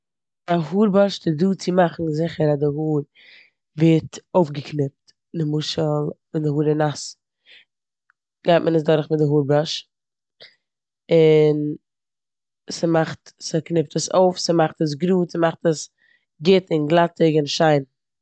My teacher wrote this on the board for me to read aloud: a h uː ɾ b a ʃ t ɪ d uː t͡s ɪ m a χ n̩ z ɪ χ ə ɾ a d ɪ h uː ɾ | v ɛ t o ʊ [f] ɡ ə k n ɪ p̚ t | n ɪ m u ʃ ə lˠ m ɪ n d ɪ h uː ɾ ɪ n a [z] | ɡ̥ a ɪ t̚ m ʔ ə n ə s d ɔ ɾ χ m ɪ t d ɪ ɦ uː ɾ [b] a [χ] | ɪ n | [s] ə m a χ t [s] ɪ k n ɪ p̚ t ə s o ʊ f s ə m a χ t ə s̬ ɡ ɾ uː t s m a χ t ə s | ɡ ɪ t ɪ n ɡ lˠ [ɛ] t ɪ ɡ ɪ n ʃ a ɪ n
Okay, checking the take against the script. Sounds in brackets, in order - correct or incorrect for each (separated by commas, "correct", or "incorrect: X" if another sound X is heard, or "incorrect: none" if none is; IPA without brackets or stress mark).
correct, incorrect: s, correct, incorrect: ʃ, correct, correct, incorrect: a